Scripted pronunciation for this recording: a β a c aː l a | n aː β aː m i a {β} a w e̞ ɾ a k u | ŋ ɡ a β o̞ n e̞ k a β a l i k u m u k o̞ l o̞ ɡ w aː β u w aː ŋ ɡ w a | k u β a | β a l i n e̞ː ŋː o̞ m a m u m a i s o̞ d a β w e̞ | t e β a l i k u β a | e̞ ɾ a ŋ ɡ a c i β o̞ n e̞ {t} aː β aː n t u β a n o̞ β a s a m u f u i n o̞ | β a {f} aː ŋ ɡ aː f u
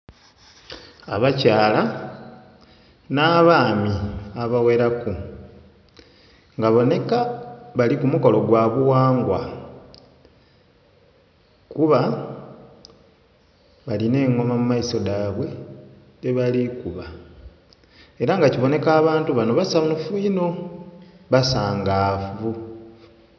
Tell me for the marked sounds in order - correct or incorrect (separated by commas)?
correct, incorrect, incorrect